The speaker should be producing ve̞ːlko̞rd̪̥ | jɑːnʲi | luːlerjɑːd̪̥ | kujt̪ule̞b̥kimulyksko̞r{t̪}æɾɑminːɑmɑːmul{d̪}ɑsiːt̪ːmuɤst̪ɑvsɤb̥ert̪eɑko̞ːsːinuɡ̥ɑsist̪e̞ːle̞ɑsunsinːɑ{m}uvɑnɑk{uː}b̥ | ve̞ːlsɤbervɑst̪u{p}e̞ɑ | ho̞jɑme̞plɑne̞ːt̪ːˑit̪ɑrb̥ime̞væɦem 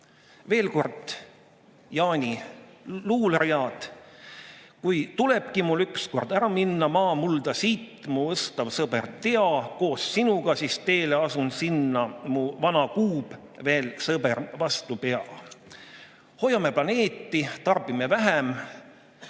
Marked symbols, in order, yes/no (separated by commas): no, yes, yes, yes, yes